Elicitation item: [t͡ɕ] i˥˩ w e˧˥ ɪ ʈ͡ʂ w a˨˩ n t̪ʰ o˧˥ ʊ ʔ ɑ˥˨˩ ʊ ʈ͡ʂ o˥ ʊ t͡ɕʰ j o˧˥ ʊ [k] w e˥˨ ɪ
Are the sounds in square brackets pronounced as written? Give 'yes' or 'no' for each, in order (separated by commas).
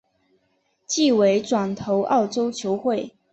yes, no